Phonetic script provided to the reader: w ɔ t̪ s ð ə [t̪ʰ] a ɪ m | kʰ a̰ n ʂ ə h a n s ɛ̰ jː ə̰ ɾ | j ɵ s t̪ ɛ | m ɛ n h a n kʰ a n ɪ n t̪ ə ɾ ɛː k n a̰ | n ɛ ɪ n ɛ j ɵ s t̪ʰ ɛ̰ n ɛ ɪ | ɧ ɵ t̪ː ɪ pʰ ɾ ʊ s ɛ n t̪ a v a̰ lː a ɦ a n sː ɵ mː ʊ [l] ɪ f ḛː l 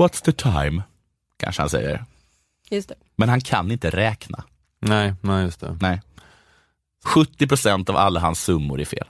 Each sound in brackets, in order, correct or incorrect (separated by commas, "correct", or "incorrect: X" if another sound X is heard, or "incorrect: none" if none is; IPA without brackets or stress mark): correct, incorrect: ɾ